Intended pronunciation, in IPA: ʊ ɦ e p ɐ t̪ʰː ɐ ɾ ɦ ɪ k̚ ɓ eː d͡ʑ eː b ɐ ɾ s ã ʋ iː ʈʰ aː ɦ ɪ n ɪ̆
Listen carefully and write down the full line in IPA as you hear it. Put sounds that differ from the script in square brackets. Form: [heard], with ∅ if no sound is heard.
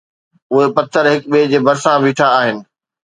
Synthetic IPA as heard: ʊ ɦ e p ɐ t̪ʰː [ə] ɾ ɦ ɪ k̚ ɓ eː d͡ʑ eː b ɐ ɾ s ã ʋ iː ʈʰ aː ɦ ɪ n ɪ̆